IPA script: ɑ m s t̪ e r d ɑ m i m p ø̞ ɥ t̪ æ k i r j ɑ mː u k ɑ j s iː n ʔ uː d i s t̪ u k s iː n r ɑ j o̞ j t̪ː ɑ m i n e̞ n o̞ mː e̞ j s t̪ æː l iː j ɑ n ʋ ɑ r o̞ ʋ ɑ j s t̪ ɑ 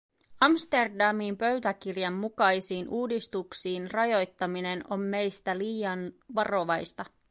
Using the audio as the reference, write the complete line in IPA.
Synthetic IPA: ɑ m s t̪ e r d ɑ m i m p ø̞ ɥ t̪ æ k i r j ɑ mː u k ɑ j s iː n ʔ uː d i s t̪ u k s iː n r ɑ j o̞ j t̪ː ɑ m i n e̞ n o̞ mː e̞ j s t̪ æ l iː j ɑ n ʋ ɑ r o̞ ʋ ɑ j s t̪ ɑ

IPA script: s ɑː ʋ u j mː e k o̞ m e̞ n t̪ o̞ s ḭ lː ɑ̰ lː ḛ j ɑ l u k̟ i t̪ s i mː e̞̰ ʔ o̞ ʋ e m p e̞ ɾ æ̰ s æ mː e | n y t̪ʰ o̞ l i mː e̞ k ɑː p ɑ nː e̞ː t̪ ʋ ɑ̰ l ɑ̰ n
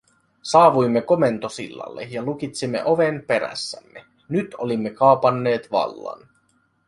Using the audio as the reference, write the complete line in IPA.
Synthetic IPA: s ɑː ʋ u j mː e k o̞ m e̞ n t̪ o̞ s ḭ lː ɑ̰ lː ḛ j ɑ l u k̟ i t̪ s i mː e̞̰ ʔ o̞ ʋ e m p e̞ ɾ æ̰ sː æ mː e | n y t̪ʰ o̞ l i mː e̞ k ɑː p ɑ nː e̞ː t̪ ʋ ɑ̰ lː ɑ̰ n

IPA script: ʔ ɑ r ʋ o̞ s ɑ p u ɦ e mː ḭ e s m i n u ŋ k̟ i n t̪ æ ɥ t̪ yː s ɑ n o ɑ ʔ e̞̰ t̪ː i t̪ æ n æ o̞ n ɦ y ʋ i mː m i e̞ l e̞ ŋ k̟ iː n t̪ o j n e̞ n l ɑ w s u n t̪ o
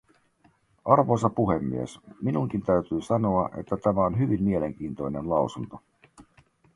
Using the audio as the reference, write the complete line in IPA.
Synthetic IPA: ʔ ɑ r ʋ o̞ s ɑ p u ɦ e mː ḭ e s m i n u ŋ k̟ i n t̪ æ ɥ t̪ yː s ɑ n o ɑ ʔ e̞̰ t̪ː æ t̪ æ m æ o̞ n ɦ y ʋ i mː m i e̞ l e̞ ŋ k̟ iː n t̪ o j n e̞ n l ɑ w s u n t̪ o

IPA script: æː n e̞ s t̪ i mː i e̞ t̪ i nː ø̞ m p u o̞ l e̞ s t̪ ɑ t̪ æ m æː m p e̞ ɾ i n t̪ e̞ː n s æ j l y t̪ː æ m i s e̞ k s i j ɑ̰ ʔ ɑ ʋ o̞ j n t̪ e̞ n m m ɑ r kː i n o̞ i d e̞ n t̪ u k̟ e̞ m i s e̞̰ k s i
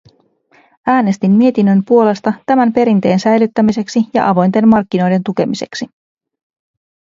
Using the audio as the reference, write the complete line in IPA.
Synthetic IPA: æː n e̞ s t̪ i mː i e̞ t̪ i nː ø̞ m p u o̞ l e̞ s t̪ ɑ t̪ æ m æ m p e̞ ɾ i n t̪ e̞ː n s æ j l y t̪ː æ m i s e̞ k s i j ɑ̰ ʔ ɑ ʋ o̞ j n t̪ e̞ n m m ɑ r kː i n o̞ j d e̞ n t̪ u k̟ e̞ m i s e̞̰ k s i

